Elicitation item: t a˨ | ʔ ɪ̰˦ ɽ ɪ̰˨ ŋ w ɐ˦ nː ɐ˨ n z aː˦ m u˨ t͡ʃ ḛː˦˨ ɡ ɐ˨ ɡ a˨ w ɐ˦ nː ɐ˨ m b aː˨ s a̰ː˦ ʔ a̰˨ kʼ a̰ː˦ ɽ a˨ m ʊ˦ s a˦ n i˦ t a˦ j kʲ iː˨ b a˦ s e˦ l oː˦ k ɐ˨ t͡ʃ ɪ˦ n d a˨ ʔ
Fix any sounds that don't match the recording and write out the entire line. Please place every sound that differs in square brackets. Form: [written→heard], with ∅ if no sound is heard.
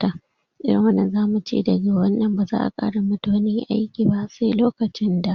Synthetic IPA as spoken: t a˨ | ʔ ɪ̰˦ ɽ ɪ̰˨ ŋ w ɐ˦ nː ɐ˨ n z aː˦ m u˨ t͡ʃ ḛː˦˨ [ɡ→d] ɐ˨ ɡ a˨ w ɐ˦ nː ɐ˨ m b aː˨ [s→z] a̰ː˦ ʔ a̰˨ kʼ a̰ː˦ ɽ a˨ m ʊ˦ [s→t] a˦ n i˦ [t→ʔ] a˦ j kʲ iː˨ b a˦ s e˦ l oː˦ k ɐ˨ t͡ʃ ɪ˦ n d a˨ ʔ